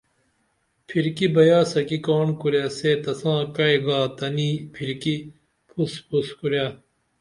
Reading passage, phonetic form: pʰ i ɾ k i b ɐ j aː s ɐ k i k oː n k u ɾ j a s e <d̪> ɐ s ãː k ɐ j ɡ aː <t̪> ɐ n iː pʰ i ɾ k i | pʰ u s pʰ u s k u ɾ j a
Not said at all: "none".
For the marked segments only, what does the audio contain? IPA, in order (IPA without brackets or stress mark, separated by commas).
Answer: t̪, t̪